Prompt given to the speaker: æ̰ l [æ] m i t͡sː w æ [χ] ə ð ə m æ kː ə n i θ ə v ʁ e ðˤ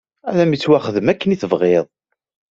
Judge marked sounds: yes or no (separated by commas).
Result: yes, yes